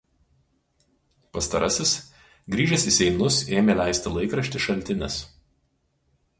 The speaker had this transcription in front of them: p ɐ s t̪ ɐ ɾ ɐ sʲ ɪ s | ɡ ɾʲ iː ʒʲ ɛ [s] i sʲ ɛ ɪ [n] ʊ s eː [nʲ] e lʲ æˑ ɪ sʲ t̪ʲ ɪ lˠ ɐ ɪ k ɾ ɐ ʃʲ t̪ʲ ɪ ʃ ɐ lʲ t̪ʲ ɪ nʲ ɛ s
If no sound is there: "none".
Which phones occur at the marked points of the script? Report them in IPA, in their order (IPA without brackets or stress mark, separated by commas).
s, n, mʲ